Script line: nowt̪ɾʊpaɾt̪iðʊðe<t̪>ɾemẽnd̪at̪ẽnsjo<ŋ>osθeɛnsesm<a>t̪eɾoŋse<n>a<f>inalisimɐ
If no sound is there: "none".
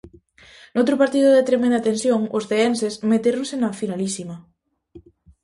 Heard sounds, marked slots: t̪, ŋ, e, n, f

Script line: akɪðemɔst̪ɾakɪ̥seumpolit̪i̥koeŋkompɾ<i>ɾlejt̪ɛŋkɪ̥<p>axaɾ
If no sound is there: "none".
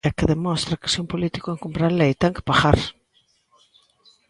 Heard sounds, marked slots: a, p

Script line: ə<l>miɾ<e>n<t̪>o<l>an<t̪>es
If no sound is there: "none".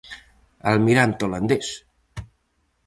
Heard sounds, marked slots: l, a, t̪, l, d̪

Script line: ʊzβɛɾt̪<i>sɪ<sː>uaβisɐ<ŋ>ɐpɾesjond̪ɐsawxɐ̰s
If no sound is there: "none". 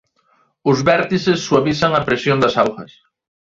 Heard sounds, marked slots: i, sː, ŋ

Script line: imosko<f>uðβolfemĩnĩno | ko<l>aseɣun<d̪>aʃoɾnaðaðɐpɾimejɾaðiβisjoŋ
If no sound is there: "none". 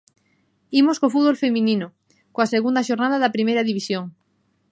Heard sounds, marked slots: f, none, d̪

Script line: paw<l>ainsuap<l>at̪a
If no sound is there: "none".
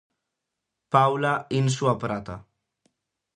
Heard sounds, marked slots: l, ɾ

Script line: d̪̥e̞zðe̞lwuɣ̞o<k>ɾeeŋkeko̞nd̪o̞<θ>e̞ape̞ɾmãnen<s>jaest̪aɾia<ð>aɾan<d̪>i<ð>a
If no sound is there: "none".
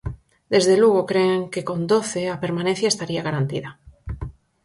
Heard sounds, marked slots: k, θ, θ, ɣ, t̪, ð

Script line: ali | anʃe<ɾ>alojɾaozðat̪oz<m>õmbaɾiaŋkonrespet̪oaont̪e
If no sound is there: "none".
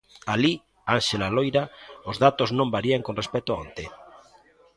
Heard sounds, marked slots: l, n

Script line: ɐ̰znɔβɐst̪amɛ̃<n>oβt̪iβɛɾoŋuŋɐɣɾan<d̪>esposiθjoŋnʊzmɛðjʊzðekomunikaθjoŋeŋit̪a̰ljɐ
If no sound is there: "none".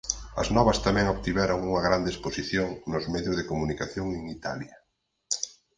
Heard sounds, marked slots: ŋ, d̪

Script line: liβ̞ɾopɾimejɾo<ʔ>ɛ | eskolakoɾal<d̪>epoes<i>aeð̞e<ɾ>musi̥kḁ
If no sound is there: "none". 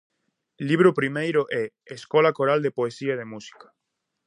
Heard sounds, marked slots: ʔ, d̪, i, none

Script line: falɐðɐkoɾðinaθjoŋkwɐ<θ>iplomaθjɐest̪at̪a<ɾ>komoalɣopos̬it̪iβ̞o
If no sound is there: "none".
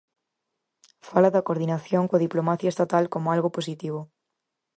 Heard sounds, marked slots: ð, l

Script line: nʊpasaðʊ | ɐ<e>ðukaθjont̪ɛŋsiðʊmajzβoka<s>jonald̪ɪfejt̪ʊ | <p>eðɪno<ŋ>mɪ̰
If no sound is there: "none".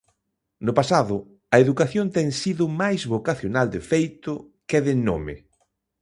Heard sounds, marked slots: e, θ, k, none

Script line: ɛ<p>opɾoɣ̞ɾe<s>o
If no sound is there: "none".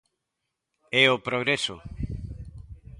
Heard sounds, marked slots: none, s

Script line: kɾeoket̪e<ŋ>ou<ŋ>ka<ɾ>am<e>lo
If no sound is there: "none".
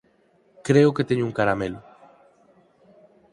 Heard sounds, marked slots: ɲ, ŋ, ɾ, e

